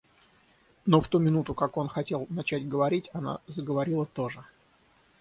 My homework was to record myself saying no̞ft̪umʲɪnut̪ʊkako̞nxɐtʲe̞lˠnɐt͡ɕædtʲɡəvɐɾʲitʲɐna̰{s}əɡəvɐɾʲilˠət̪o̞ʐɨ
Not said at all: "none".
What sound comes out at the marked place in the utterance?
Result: z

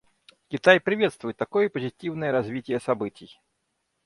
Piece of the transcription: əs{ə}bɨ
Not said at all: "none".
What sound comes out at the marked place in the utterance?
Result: a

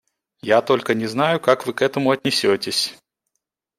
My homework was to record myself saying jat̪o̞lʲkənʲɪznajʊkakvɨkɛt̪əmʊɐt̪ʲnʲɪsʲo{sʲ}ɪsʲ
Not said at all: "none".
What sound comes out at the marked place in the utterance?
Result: tʲ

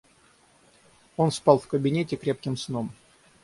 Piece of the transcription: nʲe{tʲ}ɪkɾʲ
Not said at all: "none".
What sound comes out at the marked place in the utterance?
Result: tʲ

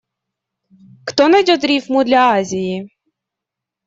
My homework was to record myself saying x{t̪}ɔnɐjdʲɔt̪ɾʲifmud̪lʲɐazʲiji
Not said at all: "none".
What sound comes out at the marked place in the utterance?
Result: t̪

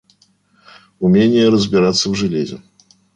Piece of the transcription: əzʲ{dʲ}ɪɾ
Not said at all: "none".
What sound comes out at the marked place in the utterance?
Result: bʲ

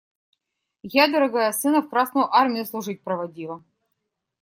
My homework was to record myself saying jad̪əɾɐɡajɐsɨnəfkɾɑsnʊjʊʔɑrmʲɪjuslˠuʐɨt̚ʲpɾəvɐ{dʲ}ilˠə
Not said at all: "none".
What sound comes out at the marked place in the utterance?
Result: dʲ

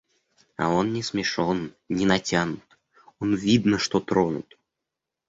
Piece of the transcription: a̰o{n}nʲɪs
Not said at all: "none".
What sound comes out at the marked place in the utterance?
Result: n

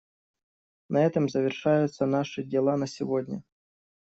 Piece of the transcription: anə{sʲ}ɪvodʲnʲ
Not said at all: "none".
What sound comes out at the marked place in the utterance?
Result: sʲ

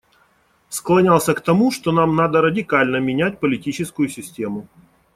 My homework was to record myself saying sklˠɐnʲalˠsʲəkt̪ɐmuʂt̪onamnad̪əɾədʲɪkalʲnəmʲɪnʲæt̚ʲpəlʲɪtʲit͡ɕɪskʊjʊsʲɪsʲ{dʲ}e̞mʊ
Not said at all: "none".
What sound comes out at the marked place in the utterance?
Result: tʲ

